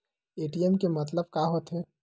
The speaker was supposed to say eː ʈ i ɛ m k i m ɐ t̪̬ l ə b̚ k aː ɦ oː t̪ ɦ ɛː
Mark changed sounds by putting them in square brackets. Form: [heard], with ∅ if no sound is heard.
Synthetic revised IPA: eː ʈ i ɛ m k [e] m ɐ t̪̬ l ə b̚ k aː ɦ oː t̪ ɦ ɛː